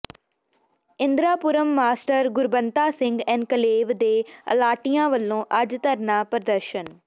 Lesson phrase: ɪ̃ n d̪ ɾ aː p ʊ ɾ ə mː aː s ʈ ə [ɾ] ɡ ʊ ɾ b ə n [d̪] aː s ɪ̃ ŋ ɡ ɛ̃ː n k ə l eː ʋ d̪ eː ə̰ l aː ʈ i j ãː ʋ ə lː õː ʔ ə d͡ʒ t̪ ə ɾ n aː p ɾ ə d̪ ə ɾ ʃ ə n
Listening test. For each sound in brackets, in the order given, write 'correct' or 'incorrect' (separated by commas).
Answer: correct, incorrect